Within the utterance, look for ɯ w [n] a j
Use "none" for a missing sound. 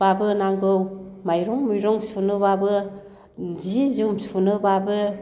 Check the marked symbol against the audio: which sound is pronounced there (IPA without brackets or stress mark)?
m